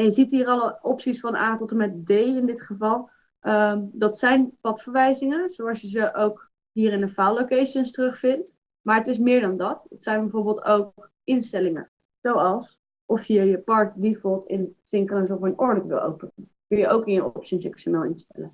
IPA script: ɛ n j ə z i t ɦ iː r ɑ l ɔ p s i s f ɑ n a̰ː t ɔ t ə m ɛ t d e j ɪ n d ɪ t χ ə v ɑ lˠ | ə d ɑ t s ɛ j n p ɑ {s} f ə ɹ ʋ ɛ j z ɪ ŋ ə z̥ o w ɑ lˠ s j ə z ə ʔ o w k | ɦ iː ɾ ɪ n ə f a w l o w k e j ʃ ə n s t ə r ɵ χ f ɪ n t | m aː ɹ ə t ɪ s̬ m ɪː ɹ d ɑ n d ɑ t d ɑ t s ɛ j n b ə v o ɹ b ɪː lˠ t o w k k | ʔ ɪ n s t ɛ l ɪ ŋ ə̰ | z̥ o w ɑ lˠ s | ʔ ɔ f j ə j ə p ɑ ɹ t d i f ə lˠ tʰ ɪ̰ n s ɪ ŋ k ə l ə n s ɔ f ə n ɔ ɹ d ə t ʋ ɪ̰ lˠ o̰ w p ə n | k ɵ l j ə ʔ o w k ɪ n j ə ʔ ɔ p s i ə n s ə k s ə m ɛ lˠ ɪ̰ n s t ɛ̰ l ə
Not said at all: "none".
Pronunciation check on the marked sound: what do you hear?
t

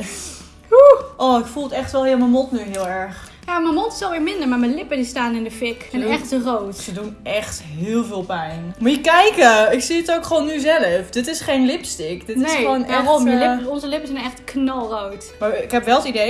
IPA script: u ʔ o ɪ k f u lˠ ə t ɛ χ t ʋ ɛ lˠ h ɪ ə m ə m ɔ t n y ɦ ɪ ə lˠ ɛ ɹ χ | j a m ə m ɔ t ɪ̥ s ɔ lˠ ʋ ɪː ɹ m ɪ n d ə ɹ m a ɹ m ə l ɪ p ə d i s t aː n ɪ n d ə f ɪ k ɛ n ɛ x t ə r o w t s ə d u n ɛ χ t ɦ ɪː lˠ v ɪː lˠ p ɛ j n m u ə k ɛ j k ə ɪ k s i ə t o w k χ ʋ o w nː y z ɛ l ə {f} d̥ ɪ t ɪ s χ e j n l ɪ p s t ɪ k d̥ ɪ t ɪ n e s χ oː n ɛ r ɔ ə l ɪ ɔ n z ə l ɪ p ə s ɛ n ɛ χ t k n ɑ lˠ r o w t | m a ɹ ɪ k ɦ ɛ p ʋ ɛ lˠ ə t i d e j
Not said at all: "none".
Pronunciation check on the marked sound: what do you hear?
f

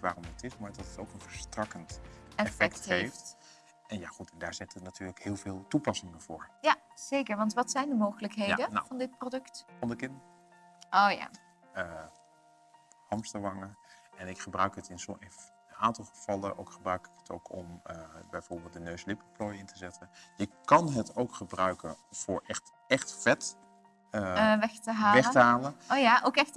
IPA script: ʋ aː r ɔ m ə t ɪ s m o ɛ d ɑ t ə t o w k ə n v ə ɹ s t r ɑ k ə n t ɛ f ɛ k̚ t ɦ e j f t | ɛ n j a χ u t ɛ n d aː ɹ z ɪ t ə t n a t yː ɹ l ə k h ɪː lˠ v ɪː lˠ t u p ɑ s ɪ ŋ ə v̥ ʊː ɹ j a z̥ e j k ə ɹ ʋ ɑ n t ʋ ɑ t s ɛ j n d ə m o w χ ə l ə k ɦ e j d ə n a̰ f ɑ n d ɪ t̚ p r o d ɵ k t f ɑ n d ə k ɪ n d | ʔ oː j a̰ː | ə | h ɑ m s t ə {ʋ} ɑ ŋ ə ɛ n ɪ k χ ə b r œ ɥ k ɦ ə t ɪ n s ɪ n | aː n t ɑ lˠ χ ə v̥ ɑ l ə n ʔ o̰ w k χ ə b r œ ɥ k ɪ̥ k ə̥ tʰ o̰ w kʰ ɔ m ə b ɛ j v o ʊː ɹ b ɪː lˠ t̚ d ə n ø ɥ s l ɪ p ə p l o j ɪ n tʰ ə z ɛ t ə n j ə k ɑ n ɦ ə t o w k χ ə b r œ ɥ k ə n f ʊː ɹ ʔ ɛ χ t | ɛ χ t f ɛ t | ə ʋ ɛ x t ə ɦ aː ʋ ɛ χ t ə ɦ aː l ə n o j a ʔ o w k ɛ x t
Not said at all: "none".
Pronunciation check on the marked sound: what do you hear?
ʋ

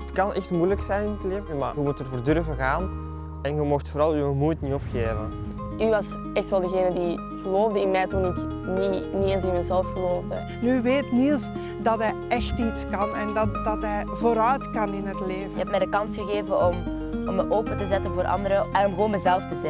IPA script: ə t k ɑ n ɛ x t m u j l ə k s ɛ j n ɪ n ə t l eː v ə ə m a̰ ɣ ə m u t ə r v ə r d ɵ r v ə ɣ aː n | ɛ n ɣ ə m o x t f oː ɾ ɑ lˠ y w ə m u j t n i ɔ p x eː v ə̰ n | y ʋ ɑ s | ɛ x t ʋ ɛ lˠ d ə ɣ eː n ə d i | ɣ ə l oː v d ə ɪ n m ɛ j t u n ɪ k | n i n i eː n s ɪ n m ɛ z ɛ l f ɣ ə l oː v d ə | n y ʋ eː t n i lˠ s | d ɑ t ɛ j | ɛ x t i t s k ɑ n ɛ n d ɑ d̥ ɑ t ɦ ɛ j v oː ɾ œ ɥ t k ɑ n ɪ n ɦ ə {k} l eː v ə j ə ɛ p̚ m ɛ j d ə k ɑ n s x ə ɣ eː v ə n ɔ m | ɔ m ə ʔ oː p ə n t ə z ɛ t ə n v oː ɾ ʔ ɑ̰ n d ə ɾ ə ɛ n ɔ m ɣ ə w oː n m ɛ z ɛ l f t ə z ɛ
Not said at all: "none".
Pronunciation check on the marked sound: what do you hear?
t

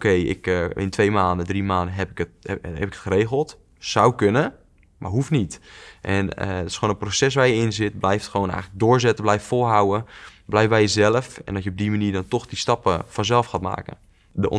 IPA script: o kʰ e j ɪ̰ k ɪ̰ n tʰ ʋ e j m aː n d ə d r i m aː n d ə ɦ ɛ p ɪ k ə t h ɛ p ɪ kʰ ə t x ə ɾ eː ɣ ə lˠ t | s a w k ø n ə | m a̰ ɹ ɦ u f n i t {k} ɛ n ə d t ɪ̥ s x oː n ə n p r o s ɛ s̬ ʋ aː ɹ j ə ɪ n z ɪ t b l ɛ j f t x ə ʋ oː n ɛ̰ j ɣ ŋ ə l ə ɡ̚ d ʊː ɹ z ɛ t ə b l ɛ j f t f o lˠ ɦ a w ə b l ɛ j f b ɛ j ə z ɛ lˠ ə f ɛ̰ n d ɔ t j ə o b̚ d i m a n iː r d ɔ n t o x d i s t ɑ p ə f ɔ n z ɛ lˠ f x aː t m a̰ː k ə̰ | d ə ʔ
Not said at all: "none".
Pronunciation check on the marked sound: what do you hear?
ʔ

